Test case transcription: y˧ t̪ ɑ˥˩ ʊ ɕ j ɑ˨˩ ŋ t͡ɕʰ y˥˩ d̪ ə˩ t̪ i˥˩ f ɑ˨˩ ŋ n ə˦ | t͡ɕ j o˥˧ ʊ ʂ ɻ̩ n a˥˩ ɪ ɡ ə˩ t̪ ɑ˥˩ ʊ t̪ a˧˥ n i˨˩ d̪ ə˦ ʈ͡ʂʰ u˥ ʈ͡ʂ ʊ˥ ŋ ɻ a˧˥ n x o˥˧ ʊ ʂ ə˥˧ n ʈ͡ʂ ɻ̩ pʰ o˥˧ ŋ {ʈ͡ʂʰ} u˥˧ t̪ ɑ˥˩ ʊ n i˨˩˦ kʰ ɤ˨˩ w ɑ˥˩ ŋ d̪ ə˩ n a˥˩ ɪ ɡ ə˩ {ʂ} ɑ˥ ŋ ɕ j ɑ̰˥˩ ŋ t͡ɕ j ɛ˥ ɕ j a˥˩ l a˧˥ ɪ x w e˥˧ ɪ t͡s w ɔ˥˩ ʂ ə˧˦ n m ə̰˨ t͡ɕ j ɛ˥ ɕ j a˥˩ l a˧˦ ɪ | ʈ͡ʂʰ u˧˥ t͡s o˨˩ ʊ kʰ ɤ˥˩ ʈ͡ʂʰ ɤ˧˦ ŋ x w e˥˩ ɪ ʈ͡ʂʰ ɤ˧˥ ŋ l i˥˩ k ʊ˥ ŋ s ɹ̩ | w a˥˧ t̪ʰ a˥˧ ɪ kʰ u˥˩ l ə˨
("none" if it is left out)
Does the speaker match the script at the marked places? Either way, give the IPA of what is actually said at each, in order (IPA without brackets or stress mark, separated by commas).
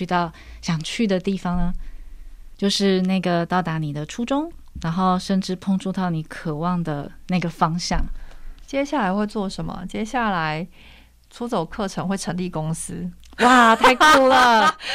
ʈ͡ʂ, f